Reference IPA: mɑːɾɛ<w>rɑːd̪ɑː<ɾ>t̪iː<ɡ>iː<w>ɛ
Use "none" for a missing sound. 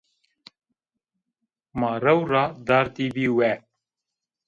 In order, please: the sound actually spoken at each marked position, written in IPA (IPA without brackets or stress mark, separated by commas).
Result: w, ɾ, b, w